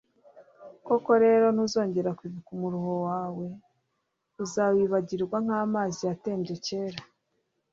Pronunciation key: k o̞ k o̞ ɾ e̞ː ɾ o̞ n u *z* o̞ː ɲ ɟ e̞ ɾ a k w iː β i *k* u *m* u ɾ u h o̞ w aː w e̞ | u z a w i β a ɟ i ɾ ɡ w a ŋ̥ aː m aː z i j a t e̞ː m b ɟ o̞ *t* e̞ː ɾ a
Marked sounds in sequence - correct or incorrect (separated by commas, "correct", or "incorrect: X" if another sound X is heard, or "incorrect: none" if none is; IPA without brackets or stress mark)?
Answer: correct, correct, correct, incorrect: c